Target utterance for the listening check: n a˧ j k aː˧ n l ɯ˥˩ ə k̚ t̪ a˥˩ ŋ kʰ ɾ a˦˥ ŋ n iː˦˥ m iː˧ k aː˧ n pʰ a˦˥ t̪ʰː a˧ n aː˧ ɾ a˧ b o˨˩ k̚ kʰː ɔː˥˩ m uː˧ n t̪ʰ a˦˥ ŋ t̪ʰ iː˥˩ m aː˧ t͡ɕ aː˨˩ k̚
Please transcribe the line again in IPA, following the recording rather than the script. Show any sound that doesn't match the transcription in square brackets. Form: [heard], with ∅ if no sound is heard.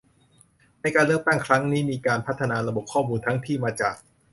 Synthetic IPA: n a˧ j k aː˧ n l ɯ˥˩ ə k̚ t̪ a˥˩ ŋ kʰ ɾ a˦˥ ŋ n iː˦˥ m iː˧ k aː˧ n pʰ a˦˥ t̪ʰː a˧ n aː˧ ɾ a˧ b o˨˩ [p̚] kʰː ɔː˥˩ m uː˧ n t̪ʰ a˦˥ ŋ t̪ʰ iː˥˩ m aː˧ t͡ɕ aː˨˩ k̚